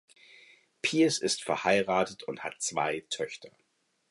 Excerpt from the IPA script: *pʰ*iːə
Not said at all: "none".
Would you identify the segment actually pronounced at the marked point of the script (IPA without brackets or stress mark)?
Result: pʰ